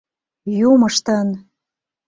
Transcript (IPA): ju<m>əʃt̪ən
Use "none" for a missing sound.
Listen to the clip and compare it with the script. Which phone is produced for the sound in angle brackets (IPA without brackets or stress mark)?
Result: m